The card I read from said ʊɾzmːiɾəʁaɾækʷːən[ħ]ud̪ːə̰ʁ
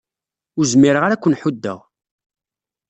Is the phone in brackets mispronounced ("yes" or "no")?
no